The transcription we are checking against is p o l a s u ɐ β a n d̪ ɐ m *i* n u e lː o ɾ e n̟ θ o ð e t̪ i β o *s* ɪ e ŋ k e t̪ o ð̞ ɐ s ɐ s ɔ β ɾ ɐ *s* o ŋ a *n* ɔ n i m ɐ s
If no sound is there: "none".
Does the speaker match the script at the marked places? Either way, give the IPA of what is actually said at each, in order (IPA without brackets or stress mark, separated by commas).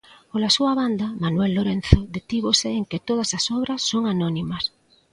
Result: a, s, sː, n